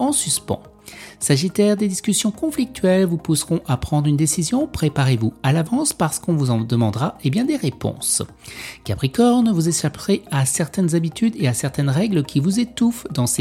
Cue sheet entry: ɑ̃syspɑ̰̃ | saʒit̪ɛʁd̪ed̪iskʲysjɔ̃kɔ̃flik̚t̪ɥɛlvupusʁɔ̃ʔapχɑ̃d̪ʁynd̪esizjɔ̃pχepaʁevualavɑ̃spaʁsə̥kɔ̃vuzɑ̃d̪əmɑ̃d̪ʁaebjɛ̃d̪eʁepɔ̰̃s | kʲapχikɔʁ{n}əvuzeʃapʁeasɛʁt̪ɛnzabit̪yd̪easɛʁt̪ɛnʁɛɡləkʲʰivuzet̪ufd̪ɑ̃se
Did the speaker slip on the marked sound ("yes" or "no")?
no